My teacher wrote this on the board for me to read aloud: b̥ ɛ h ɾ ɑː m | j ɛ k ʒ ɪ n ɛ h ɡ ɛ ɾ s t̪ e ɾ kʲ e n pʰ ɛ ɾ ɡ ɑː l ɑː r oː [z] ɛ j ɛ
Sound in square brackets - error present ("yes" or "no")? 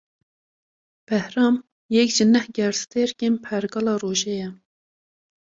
yes